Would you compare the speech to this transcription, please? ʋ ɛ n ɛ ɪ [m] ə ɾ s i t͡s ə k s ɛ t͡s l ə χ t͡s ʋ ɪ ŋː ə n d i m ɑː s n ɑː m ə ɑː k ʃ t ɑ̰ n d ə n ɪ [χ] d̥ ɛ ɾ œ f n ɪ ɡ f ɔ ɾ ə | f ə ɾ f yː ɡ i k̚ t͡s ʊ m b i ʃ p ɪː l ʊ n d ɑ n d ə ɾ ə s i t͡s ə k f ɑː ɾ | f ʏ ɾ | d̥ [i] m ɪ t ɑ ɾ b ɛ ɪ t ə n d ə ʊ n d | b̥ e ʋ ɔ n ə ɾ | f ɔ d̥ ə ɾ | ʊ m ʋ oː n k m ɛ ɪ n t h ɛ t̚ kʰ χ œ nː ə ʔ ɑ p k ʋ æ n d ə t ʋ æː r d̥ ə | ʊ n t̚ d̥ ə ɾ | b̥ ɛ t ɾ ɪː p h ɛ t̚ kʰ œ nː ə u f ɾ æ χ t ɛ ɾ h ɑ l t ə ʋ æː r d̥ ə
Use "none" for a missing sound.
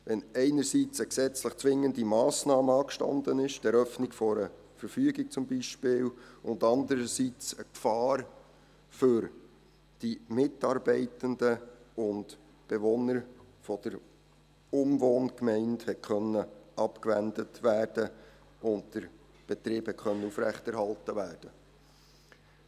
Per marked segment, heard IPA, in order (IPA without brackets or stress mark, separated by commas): n, ʃ, i